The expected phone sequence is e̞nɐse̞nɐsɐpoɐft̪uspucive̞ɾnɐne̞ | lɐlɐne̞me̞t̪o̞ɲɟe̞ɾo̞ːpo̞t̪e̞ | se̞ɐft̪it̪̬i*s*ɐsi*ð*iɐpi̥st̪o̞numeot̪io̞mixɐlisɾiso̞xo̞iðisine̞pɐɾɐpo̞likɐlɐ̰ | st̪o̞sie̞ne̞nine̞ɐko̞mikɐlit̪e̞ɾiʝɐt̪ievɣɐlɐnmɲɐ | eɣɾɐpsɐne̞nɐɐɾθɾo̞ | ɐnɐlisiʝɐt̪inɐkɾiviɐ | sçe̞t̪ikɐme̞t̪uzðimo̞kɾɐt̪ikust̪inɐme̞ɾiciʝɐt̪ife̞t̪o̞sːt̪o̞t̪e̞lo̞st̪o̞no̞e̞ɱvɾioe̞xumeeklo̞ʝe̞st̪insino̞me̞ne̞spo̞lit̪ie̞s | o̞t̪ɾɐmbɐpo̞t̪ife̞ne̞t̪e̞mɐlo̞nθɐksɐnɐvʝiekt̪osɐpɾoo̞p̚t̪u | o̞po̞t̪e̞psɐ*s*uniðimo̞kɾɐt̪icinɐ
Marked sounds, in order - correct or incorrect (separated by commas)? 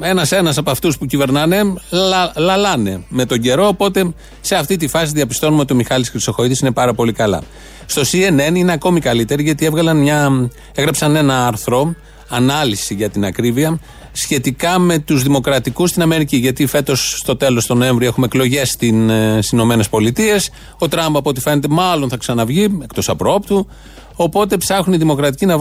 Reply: incorrect, correct, incorrect